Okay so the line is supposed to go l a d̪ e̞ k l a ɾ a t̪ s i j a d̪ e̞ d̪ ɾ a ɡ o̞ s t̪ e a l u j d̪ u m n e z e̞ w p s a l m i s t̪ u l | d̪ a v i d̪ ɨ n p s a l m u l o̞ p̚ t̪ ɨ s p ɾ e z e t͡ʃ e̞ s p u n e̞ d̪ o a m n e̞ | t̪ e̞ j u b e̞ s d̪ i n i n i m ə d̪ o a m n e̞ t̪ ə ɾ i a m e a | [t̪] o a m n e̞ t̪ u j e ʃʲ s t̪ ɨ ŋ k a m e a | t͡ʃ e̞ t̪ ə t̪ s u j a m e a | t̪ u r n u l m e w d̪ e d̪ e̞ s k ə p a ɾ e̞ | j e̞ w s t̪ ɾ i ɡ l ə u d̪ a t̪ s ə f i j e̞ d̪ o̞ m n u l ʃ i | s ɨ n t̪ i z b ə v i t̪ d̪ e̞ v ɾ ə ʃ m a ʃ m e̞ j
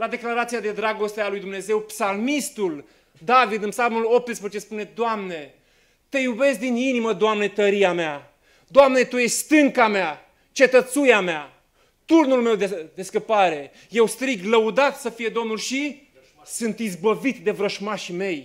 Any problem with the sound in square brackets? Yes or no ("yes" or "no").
yes